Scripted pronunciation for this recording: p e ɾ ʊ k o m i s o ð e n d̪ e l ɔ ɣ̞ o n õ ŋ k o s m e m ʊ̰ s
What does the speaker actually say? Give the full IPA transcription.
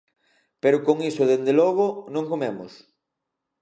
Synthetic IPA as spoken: p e ɾ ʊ k o ŋ i s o ð e n d̪ e l ɔ ɣ̞ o n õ ŋ k o m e m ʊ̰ s